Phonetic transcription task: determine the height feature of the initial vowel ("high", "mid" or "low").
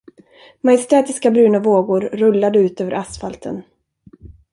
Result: low